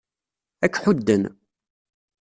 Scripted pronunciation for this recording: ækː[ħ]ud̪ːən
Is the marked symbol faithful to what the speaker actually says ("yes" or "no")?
yes